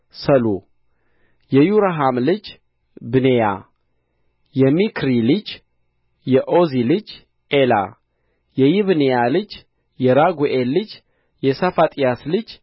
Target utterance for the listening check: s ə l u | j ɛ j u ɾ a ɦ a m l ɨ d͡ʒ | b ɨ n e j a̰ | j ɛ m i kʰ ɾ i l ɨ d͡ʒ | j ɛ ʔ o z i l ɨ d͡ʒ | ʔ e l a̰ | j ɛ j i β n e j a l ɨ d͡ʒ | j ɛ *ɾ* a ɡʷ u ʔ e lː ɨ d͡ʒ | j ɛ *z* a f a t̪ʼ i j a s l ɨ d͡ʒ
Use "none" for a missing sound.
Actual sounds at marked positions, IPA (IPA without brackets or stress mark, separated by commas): ɾ, s